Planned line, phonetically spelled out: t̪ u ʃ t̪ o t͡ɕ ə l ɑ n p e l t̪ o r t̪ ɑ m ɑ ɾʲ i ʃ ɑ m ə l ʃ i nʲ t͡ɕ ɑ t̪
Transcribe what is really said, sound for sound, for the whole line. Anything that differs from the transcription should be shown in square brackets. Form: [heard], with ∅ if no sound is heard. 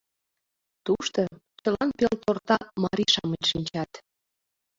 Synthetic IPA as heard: t̪ u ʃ t̪ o t͡ɕ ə l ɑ n p e l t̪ o r t̪ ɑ m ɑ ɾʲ i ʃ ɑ m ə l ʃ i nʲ t͡ɕ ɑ t̪

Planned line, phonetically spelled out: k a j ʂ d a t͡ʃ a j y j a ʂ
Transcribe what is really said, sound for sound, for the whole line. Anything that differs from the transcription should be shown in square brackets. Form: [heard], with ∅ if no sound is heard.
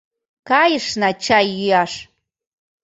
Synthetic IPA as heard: k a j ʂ [n] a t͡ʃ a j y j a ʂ

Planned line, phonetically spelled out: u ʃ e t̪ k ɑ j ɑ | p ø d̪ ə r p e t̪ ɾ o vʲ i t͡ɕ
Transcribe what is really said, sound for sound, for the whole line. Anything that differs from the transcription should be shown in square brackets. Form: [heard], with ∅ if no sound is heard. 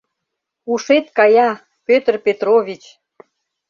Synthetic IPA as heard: u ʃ e t̪ k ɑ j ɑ | p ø [t̪] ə r p e t̪ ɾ o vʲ i t͡ɕ

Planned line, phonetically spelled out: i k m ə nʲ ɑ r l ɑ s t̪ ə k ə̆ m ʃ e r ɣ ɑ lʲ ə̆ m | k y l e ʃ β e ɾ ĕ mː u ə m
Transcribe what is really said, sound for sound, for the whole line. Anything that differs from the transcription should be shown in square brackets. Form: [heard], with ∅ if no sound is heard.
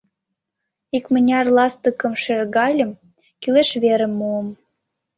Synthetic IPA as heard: i k m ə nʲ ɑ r l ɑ s t̪ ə k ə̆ m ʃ e r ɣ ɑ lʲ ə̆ m | k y l e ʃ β e ɾ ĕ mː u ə m

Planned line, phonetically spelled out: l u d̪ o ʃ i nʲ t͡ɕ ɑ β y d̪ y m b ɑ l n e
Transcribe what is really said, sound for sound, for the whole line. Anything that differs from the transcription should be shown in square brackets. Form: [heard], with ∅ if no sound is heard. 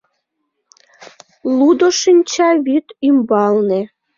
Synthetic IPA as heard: l u d̪ o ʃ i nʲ t͡ɕ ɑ β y [t̪] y m b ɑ l n e

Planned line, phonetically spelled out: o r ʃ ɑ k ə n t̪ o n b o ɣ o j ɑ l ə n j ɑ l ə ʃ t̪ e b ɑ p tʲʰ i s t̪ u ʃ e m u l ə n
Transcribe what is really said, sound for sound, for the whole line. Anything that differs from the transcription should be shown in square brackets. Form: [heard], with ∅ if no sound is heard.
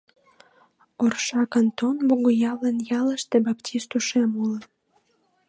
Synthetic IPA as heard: o r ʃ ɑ k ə n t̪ o n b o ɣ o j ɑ l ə n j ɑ l ə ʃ t̪ e b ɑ p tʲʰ i s t̪ u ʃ e m u l ə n

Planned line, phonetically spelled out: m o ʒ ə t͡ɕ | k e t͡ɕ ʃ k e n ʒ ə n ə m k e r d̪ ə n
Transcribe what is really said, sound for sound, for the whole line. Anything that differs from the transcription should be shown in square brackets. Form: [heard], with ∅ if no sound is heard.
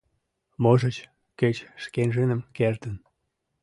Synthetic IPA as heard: m o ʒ ə t͡ɕ | k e t͡ɕ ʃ k e n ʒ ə n ə m k e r [t̪] ə n

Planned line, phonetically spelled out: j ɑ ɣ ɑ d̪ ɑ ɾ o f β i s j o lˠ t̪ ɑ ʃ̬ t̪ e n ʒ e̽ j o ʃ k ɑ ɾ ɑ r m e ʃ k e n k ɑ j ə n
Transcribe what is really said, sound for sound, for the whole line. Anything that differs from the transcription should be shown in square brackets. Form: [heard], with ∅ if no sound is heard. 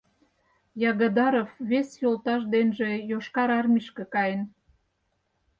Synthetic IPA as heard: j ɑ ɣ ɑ d̪ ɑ ɾ o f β [e] s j o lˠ t̪ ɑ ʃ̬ [d̪] e n ʒ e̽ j o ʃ k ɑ ɾ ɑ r m [i] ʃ k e [∅] k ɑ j ə n

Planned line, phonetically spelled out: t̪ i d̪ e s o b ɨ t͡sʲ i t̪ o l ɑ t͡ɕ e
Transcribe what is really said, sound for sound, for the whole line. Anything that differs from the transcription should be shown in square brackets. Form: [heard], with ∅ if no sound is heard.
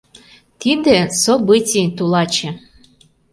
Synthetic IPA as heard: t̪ i d̪ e s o b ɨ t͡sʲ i t̪ [u] l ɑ t͡ɕ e

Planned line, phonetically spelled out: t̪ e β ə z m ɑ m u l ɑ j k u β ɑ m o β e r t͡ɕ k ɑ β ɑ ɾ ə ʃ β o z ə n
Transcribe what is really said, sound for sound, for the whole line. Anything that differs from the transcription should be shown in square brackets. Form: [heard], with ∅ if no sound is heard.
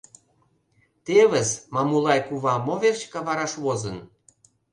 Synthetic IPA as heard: t̪ e β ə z m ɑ m u l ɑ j k u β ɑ m o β e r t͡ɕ k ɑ β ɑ ɾ [ɑ] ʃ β o z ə n

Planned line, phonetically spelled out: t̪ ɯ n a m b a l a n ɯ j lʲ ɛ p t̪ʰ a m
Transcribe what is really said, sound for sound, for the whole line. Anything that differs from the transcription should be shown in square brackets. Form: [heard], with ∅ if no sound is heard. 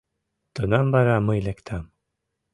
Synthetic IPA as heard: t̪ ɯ n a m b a [ɾ] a [m] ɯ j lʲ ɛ [k] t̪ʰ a m

